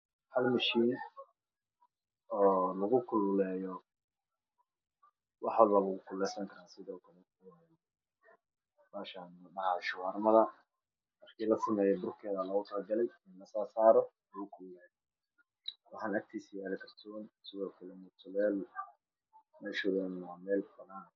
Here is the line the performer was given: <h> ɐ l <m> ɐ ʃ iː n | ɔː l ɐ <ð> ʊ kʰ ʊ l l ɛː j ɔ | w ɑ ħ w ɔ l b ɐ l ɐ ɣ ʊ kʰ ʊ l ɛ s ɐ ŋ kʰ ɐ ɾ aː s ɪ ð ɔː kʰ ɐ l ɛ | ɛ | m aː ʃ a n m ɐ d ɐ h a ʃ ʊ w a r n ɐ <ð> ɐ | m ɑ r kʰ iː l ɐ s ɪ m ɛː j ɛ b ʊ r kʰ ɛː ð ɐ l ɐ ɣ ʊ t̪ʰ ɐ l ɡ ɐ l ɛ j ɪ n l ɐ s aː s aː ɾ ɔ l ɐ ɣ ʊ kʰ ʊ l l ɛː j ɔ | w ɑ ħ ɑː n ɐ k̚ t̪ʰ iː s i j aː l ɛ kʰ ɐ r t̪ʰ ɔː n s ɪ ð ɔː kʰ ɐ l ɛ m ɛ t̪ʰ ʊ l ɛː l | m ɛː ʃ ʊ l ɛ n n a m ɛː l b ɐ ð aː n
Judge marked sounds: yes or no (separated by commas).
yes, yes, no, yes